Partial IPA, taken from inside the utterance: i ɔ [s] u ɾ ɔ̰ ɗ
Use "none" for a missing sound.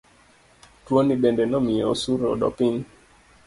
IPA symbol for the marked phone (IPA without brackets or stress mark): s